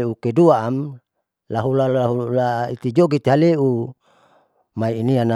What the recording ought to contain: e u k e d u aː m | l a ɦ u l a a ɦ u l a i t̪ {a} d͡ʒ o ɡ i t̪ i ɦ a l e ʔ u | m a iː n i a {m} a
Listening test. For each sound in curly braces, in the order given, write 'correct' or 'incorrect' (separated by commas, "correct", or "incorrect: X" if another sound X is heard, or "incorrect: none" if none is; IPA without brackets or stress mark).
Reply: incorrect: i, incorrect: n